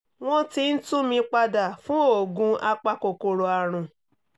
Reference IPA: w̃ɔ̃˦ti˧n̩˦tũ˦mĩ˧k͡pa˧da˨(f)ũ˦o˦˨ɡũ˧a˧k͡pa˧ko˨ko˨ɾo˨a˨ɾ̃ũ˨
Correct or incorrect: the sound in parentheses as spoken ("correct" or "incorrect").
correct